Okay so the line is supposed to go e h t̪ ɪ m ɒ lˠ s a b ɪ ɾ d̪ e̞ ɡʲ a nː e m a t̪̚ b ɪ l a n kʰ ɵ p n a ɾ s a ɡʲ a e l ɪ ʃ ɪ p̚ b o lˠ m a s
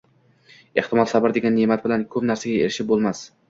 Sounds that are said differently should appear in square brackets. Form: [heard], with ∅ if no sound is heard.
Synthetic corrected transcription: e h t̪ ɪ m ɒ lˠ s a b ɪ ɾ d̪ e̞ ɡʲ a nː e m a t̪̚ b ɪ l a n kʰ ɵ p n a ɾ s a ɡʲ a e [ɾ] ɪ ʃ ɪ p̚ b o lˠ m a s